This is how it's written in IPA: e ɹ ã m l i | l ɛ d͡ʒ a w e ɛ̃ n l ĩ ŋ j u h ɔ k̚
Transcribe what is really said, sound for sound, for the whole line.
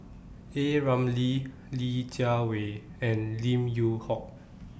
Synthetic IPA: e ɹ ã m l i | l i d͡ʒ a w e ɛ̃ n l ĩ m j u h ɔ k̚